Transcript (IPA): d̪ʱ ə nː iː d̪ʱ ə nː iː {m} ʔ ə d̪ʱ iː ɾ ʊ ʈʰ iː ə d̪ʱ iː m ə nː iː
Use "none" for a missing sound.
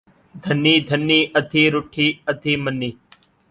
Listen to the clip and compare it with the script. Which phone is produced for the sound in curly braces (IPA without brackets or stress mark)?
none